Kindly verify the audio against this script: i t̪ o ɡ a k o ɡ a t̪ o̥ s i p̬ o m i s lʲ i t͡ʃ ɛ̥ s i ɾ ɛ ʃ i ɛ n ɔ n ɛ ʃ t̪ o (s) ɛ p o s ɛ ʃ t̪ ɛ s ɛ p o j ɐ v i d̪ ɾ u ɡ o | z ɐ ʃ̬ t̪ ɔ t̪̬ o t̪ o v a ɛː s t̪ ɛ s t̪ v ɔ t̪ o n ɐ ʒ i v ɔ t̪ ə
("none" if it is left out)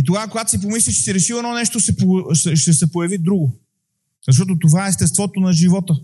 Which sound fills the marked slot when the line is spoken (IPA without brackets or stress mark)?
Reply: s